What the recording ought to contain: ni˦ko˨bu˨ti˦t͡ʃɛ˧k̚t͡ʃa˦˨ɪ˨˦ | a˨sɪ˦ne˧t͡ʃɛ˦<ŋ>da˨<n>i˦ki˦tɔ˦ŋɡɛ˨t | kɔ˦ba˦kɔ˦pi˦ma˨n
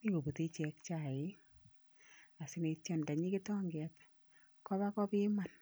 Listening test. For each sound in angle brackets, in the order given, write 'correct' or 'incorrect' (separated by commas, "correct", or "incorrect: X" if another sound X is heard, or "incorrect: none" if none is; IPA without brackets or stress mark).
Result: incorrect: n, incorrect: ɲ